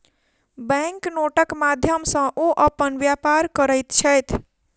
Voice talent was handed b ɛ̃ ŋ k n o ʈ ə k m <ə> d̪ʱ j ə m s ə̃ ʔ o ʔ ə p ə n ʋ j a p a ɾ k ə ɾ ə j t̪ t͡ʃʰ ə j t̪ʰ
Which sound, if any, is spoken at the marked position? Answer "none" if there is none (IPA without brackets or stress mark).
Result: a